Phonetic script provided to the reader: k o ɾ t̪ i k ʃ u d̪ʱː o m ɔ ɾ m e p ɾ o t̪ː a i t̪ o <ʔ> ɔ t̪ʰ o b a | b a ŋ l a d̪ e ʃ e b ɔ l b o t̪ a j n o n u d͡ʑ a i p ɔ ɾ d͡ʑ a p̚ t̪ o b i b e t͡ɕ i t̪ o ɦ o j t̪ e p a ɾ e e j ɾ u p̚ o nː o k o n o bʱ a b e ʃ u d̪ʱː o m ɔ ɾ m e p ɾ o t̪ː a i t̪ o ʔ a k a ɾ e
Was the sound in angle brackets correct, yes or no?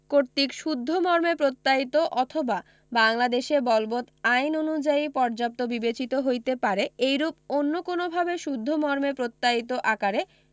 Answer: yes